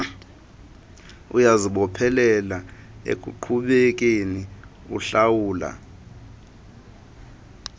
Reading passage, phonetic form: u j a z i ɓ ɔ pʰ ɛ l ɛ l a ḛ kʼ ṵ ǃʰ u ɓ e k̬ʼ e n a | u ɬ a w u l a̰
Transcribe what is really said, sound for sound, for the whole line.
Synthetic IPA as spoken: u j a z i ɓ ɔ pʰ ɛ l ɛ l a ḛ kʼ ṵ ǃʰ u ɓ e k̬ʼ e n i | u ɬ a w uː l a̰